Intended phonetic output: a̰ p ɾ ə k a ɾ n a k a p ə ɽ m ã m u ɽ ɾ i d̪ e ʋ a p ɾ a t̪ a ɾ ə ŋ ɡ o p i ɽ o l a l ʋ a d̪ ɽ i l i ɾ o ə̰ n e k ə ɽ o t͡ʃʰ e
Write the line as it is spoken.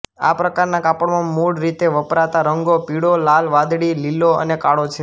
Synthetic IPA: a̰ p ɾ ə k a ɾ n a k a p ə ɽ m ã m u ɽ ɾ i t̪ e ʋ ə p ɾ a t̪ a ɾ ə ŋ ɡ o p i ɽ o l a l ʋ a d̪ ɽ i l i l o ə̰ n e k a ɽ o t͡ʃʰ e